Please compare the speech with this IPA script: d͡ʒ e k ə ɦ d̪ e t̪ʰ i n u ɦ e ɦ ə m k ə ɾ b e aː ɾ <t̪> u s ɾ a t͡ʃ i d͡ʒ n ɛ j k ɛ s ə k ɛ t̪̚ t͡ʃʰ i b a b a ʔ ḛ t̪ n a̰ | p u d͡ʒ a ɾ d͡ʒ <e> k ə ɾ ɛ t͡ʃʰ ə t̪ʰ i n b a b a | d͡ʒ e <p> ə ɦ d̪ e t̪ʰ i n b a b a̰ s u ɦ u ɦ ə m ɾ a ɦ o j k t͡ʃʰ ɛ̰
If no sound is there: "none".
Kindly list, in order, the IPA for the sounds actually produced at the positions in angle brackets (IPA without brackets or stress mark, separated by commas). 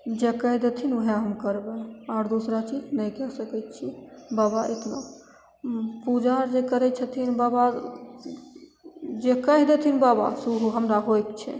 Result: d̪, e, k